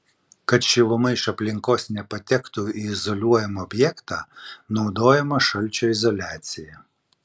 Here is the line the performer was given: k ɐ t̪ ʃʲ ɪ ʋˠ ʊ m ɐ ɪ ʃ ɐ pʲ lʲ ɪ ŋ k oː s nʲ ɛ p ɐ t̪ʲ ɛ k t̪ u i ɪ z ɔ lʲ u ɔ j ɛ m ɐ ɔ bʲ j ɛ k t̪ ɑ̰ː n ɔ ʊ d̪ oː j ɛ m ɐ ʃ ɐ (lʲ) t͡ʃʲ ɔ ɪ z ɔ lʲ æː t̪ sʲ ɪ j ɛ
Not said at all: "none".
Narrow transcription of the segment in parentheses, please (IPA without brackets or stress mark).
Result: lʲ